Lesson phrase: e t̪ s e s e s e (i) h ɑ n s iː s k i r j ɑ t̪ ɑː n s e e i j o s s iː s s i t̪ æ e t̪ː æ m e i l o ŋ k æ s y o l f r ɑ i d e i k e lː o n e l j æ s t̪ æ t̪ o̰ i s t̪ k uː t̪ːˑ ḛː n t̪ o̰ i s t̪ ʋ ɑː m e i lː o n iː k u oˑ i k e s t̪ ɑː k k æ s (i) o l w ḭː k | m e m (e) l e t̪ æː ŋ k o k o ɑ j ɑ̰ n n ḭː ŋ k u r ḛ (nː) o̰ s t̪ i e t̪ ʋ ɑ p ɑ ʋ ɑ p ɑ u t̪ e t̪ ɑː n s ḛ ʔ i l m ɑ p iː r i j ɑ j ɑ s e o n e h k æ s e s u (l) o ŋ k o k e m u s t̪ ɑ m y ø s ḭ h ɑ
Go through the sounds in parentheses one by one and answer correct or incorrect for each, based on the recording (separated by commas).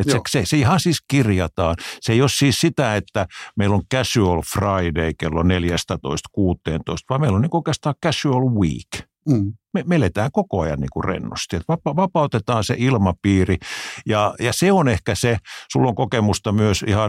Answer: correct, incorrect, correct, correct, incorrect